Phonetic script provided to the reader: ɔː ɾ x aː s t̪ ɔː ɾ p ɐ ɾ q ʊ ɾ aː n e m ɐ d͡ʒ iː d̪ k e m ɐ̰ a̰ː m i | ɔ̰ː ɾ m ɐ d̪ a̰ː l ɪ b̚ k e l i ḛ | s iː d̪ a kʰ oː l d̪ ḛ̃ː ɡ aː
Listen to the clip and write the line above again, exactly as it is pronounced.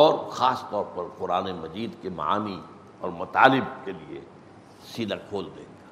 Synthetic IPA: ɔː ɾ x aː s t̪ ɔː ɾ p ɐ ɾ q ʊ ɾ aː n e m ɐ d͡ʒ iː d̪ k e m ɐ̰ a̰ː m i | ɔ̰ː ɾ m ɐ t̪ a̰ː l ɪ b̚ k e l i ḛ | s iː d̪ a kʰ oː l d̪ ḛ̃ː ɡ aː